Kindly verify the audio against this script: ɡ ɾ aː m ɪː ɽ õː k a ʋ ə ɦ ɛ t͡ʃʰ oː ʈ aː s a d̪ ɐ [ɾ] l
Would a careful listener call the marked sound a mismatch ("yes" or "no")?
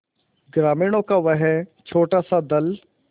yes